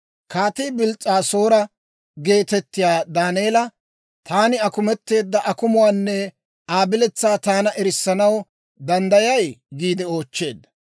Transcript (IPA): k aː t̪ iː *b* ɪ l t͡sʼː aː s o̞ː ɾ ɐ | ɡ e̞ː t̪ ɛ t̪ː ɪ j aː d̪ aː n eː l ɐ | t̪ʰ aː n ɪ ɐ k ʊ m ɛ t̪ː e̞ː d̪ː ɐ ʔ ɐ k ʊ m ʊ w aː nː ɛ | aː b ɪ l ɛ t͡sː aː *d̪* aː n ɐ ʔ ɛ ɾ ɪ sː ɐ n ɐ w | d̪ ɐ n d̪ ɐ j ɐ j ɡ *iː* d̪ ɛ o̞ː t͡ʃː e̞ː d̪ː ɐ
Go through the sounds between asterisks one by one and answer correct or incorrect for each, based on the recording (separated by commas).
correct, incorrect, correct